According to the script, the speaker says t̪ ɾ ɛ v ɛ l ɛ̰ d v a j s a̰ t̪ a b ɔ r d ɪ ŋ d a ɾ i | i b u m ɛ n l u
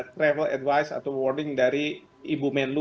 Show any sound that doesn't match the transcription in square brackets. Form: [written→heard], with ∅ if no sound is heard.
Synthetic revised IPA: t̪ ɾ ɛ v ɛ l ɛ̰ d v a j s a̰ t̪ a [b→w] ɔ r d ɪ ŋ d a ɾ i | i b u m ɛ n l u